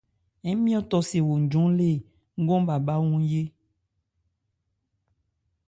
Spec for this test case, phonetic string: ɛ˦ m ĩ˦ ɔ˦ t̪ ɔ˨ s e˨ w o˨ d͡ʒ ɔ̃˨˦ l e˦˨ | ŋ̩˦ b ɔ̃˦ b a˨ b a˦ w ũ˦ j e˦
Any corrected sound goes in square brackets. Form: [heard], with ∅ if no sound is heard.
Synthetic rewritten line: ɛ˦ m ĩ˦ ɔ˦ t̪ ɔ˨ s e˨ w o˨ d͡ʒ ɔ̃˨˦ l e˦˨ | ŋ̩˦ [ɡ] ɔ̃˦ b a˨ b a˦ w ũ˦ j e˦